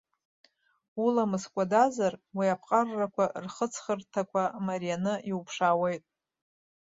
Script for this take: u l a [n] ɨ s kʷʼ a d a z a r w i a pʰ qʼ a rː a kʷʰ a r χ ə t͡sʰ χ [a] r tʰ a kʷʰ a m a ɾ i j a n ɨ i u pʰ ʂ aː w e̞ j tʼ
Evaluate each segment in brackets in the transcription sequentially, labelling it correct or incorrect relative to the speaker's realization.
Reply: incorrect: m, incorrect: ə

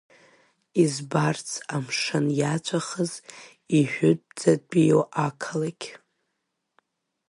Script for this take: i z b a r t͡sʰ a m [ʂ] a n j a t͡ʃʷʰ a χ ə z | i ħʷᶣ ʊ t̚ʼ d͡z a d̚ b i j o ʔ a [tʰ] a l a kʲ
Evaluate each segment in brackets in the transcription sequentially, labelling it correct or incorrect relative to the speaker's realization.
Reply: correct, incorrect: kʰ

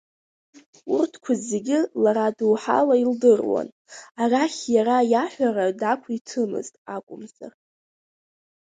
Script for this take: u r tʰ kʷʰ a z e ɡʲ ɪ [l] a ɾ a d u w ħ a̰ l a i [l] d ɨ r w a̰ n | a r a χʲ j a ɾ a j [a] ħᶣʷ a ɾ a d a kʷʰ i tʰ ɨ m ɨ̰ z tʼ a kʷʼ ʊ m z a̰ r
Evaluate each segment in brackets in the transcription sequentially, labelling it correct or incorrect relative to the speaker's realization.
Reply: correct, correct, correct

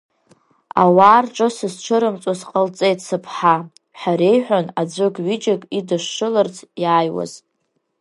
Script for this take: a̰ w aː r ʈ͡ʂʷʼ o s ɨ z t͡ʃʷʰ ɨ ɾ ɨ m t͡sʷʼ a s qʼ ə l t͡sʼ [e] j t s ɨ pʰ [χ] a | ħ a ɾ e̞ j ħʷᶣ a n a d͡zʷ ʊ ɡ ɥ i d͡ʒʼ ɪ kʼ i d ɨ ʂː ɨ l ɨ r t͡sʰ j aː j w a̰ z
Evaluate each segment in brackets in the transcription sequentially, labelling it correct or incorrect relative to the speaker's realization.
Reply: correct, incorrect: ħ

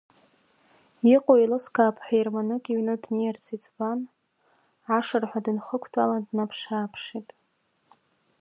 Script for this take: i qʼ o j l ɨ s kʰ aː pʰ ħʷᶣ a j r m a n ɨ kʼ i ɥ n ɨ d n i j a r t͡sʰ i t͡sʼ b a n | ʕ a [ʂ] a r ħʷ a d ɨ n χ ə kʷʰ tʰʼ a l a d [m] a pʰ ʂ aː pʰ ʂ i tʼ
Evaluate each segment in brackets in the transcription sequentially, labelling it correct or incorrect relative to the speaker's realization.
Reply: correct, incorrect: n

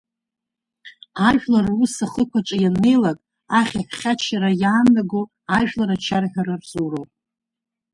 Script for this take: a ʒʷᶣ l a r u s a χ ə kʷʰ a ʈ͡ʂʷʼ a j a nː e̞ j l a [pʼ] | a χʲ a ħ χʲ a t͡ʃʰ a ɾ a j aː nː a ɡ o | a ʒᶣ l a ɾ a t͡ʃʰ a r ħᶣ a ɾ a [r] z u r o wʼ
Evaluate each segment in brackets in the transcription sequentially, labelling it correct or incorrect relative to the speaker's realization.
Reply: incorrect: kʼ, correct

